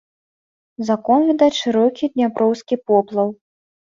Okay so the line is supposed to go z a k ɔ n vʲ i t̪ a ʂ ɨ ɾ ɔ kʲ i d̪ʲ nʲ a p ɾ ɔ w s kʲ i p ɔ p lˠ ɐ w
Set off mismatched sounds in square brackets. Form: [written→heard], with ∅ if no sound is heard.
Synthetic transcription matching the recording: z a k ɔ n vʲ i [t̪→d̪] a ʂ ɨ ɾ ɔ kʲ i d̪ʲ nʲ a p ɾ ɔ w s kʲ i p ɔ p lˠ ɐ w